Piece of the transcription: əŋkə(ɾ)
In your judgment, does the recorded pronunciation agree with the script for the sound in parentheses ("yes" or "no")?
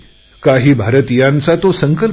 no